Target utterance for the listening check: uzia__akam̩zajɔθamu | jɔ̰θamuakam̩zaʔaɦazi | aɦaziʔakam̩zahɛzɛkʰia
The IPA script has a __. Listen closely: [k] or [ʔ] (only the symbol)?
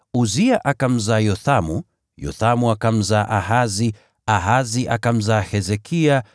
ʔ